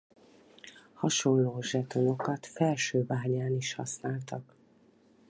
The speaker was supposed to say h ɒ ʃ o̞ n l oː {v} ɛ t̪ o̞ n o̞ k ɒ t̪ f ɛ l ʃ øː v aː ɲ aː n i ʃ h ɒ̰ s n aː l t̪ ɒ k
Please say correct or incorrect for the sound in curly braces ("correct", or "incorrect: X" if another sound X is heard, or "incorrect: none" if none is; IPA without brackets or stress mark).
incorrect: ʒ